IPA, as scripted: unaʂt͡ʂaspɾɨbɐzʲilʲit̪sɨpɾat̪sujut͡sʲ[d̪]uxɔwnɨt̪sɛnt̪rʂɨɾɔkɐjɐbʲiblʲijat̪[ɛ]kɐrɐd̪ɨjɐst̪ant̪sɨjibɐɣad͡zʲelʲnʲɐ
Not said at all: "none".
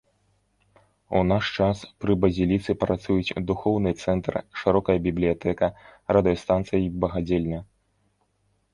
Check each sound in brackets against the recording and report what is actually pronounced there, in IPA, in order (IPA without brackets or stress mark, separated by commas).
d̪, ɛ